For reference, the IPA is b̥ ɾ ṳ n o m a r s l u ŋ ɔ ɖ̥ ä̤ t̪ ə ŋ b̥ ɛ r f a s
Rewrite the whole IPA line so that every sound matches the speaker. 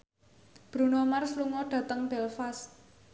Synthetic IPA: b̥ ɾ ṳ n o m a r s l u ŋ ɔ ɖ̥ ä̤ t̪ ə ŋ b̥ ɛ l f a s